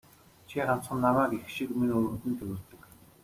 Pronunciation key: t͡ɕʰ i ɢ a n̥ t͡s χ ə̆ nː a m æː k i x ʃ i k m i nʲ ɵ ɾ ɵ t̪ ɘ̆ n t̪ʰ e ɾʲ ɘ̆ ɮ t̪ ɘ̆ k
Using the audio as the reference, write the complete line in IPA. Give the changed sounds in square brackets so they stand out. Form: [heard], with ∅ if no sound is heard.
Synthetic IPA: t͡ɕʰ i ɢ a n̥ t͡s χ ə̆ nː a m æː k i x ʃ i k m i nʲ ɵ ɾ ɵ t̪ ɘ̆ n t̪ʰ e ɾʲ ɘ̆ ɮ t̪ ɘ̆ k